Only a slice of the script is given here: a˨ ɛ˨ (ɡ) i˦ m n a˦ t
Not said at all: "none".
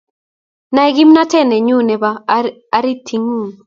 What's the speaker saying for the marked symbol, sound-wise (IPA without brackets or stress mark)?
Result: ɡ